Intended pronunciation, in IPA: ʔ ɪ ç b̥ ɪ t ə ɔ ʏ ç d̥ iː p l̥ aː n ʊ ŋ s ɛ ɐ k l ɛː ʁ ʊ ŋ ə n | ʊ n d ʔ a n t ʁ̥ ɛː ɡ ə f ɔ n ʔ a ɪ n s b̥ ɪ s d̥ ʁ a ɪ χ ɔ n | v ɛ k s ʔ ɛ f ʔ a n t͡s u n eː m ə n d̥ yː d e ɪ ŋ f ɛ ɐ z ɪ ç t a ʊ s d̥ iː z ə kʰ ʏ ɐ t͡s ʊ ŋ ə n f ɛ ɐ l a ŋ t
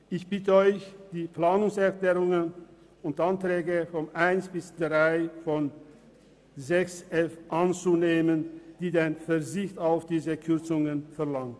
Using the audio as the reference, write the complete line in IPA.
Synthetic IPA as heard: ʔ ɪ ç b̥ ɪ t ə ɔ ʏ ç d̥ iː p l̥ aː n ʊ ŋ s ɛ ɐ k l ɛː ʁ ʊ ŋ ə n | ʊ n t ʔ a n t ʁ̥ ɛː ɡ ə f ɔ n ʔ a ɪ n s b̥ ɪ s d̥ ʁ a ɪ f ɔ n | z ɛ k s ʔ ɛ f ʔ a n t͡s u n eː m ə n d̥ iː d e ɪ n f ɛ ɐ z ɪ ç t a ʊ f d̥ iː z ə kʰ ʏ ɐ t͡s ʊ ŋ ə n f ɛ ɐ l a ŋ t